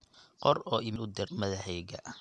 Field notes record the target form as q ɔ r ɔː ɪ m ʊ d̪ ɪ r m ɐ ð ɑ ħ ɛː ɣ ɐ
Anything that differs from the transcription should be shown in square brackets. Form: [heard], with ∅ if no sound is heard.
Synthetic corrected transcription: q ɔ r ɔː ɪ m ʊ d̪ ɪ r m ɐ ð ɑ ħ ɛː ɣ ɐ